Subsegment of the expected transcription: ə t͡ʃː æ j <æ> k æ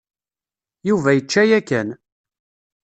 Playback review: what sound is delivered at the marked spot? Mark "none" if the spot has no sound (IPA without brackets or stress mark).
æ